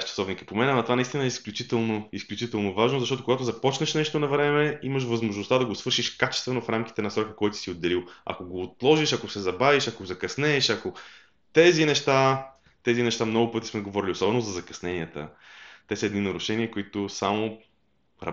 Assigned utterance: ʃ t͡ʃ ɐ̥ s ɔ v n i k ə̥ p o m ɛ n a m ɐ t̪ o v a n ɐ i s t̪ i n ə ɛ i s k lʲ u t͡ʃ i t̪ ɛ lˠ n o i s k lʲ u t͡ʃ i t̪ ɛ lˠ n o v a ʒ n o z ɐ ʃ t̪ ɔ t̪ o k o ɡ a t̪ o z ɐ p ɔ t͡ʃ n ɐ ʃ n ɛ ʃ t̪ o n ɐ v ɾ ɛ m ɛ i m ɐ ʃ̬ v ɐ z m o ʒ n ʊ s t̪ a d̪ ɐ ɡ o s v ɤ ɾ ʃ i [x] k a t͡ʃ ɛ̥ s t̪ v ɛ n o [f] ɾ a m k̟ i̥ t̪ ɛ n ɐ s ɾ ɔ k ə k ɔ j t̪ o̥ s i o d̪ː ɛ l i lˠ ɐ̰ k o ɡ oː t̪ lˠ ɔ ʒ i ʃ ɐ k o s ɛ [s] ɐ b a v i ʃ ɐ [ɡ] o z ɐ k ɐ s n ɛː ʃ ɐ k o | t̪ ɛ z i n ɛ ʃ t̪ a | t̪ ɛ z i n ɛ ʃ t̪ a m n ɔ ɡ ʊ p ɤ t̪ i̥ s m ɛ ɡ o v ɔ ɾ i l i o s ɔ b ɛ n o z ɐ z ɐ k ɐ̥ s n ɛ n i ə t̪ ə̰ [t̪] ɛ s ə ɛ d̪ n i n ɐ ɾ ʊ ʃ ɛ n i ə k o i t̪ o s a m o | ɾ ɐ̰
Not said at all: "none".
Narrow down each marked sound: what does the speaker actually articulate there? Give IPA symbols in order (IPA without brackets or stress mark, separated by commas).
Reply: ʃ, f, z, k, t̪